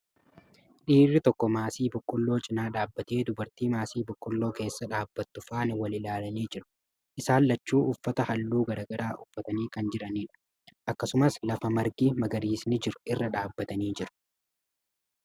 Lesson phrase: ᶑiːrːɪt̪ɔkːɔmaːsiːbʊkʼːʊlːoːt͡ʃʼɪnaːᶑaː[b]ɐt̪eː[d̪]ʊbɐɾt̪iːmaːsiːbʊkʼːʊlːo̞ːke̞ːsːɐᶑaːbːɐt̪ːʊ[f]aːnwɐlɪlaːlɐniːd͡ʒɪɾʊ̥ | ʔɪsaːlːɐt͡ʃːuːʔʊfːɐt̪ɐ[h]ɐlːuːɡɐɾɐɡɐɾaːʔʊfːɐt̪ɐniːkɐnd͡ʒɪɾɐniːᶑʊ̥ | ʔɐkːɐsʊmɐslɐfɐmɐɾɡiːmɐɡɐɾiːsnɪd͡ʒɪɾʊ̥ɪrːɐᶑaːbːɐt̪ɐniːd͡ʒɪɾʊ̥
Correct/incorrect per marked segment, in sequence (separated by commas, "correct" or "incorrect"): incorrect, correct, correct, correct